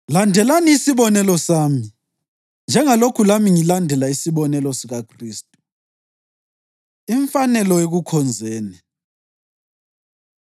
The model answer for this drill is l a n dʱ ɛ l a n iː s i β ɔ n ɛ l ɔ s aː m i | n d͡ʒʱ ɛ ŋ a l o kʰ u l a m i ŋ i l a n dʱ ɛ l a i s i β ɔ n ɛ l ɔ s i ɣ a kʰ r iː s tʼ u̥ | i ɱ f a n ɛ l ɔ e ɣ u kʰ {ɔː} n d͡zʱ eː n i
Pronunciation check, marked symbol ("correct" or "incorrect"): incorrect